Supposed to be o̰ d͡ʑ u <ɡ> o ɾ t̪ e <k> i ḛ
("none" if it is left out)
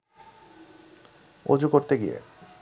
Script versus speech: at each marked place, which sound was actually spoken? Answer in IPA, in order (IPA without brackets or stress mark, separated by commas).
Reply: k, ɡ